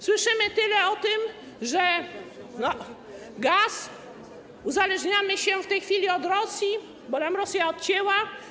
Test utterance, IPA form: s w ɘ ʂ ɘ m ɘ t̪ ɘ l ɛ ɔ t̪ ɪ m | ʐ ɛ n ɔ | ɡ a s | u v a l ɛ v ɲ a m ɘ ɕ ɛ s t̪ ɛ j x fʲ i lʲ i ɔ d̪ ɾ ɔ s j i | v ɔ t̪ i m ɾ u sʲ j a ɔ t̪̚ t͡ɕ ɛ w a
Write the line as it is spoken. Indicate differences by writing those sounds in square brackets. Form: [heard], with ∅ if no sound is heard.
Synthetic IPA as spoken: s w ɘ ʂ ɘ m ɘ t̪ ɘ l ɛ ɔ t̪ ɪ m | ʐ ɛ n ɔ | ɡ a s | u [z] a l ɛ [ʐ] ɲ a m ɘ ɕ ɛ [f] t̪ ɛ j x fʲ i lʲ i ɔ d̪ ɾ ɔ s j i | [b] ɔ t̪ [a] m ɾ [ɔ] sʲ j a ɔ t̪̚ t͡ɕ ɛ w a